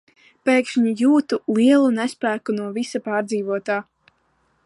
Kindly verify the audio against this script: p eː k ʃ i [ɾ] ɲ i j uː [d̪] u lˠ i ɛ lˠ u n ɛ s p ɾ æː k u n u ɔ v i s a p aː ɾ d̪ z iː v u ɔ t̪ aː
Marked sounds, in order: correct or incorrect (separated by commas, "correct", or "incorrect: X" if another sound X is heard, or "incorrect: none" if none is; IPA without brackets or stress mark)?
incorrect: none, incorrect: t̪